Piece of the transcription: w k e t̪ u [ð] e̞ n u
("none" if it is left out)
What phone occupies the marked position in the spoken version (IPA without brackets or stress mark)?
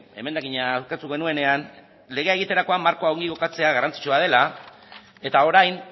ɣ